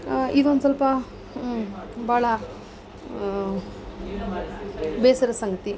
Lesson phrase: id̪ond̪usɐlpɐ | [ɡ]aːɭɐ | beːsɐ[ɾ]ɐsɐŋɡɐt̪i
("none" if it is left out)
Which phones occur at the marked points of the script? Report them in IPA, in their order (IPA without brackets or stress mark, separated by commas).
b, ɾ